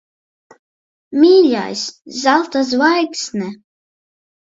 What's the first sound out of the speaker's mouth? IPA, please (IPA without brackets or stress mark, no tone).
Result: m